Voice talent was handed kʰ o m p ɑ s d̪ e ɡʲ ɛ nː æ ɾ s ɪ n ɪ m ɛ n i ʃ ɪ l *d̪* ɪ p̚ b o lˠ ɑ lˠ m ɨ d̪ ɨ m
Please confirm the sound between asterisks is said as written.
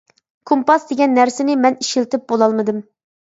no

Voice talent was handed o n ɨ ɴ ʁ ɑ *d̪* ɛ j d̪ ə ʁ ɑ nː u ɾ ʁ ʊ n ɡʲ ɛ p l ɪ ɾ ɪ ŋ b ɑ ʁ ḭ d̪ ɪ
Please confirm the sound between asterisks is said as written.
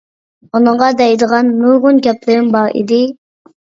yes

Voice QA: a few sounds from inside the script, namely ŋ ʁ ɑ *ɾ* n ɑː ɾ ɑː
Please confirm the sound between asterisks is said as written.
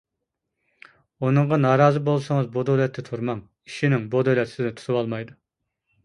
no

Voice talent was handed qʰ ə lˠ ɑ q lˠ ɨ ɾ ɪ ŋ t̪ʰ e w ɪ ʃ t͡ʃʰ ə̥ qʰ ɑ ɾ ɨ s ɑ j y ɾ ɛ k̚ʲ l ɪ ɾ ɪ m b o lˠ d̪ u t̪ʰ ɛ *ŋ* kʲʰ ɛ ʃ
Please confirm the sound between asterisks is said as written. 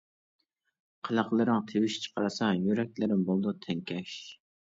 yes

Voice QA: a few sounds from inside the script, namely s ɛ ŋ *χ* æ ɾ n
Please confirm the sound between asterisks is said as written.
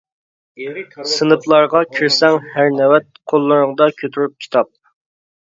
no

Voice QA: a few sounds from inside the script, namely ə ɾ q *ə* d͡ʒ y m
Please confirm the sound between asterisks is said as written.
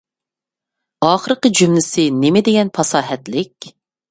yes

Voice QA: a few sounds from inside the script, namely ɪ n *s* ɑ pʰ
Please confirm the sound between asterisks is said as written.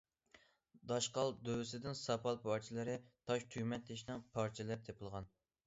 yes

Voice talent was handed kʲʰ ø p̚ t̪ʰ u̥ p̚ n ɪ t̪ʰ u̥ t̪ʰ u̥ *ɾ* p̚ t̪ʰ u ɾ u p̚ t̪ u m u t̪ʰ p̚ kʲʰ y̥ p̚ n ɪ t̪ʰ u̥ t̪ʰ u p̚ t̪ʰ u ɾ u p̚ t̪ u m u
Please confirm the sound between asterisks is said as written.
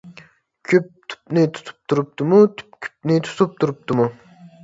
no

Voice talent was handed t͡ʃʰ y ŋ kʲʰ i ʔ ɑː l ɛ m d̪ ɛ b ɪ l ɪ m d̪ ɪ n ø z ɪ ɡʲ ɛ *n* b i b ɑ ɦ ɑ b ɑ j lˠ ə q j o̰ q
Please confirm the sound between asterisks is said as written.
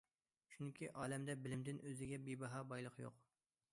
no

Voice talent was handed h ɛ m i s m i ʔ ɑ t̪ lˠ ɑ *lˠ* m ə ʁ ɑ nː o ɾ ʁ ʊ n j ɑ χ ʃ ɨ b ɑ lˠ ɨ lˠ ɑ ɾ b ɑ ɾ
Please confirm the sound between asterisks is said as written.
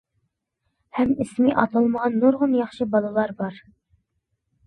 yes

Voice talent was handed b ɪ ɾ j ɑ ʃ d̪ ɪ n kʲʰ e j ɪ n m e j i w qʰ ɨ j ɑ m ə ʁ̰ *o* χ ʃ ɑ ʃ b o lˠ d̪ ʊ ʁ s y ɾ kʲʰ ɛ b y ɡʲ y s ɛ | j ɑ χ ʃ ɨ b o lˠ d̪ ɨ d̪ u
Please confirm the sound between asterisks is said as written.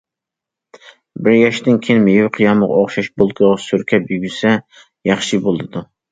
yes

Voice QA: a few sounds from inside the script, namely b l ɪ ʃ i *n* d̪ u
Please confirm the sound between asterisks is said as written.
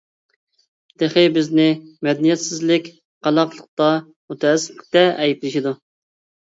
no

